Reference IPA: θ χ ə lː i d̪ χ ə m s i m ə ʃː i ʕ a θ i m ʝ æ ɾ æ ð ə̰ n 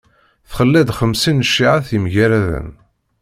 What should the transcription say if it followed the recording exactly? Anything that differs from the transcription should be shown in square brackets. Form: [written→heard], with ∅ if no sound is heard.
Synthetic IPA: θ χ ə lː [i→æ] d̪ χ ə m s i [m→n] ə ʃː i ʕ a θ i m ʝ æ ɾ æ ð ə̰ n